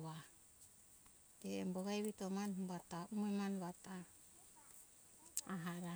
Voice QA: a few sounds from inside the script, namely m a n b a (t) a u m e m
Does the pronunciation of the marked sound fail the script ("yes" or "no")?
no